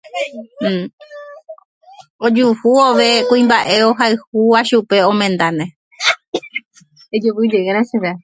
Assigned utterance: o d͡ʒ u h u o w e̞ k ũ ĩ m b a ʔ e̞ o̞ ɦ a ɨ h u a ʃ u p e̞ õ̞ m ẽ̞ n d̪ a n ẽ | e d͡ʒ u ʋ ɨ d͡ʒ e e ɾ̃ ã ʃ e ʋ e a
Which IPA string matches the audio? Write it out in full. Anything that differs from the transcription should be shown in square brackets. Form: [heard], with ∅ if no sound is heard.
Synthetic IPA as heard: o d͡ʒ u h u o [ʋ] e̞ k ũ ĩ m b a ʔ e̞ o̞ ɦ a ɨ h u a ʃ u p e̞ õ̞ m ẽ̞ n d̪ a n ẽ | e d͡ʒ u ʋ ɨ d͡ʒ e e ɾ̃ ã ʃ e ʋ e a